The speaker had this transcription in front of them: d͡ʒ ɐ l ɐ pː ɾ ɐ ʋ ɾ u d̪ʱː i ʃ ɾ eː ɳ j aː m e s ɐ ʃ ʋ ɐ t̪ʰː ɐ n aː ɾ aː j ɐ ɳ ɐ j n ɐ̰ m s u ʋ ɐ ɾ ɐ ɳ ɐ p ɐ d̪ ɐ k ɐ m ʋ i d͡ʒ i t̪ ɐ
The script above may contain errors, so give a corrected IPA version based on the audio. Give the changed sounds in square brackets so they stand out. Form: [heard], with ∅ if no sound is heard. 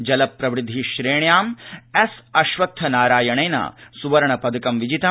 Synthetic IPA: d͡ʒ ɐ l ɐ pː ɾ ɐ ʋ ɾ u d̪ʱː i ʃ ɾ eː ɳ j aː m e s ɐ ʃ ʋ ɐ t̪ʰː ɐ n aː ɾ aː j ɐ ɳ ɐ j n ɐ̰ [∅] s u ʋ ɐ ɾ ɐ ɳ ɐ p ɐ d̪ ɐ k ɐ m ʋ i d͡ʒ i t̪ ɐ